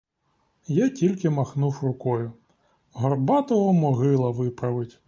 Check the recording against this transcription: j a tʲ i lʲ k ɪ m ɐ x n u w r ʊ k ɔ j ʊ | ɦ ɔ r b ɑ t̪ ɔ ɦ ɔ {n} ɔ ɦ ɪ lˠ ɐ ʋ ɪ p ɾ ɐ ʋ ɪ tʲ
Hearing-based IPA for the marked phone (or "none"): m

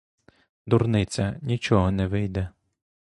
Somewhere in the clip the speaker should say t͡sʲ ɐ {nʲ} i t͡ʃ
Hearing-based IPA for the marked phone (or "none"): nʲ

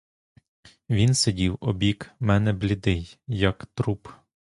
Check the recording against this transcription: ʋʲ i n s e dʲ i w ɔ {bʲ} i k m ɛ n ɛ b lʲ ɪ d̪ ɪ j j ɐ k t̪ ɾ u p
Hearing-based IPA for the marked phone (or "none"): bʲ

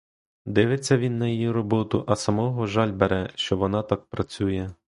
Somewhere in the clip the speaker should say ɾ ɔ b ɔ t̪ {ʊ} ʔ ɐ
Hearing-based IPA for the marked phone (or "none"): ʊ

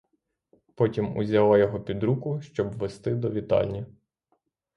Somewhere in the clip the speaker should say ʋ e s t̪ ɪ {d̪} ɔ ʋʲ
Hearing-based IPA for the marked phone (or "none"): d̪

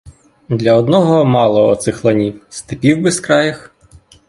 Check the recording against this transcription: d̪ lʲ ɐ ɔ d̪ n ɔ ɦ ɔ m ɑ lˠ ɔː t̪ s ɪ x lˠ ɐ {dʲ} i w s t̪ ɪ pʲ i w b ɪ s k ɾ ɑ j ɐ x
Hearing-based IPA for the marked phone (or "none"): nʲ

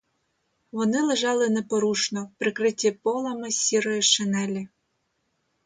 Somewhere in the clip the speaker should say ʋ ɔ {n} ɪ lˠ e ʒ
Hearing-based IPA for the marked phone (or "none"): n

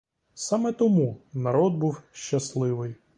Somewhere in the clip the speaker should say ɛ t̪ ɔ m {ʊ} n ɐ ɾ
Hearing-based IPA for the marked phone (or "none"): u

